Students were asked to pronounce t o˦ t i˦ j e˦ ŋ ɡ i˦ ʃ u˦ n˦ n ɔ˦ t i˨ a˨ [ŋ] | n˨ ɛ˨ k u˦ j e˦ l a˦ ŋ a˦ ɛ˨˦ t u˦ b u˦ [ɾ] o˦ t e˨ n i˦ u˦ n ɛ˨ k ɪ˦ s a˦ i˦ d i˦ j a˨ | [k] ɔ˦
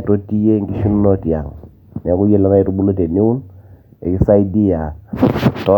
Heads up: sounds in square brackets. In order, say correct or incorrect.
correct, incorrect, incorrect

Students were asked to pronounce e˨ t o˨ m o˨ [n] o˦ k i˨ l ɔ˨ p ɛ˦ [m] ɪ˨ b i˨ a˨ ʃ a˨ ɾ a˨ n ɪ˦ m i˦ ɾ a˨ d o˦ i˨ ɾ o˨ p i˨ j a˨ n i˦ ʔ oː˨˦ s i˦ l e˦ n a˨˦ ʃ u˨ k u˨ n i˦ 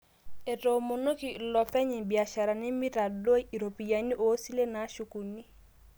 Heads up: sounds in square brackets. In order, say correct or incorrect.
correct, incorrect

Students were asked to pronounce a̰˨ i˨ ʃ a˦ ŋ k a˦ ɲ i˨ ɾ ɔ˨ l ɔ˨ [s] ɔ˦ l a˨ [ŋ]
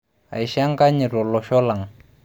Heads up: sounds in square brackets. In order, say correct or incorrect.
incorrect, correct

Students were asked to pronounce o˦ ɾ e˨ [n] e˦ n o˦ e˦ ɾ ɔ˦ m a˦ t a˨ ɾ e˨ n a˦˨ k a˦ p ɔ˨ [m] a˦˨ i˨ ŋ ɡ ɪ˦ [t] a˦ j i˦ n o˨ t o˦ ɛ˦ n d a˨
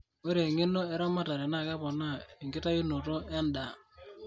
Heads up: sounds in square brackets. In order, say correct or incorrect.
incorrect, incorrect, correct

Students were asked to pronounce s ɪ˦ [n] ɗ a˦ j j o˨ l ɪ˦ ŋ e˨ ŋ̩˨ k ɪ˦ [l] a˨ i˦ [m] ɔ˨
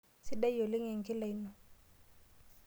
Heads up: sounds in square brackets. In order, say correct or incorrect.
incorrect, correct, incorrect

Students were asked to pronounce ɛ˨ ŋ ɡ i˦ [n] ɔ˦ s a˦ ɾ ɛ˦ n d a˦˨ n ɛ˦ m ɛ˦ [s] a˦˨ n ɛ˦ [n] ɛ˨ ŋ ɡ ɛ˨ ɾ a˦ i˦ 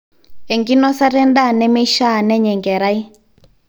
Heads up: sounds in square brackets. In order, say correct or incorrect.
correct, incorrect, incorrect

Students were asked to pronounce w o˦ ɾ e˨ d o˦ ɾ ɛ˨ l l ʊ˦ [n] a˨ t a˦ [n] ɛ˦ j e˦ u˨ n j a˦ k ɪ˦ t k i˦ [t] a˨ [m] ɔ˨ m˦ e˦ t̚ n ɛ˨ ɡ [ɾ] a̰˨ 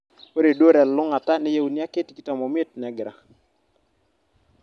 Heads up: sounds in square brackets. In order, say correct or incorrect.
incorrect, correct, correct, correct, correct

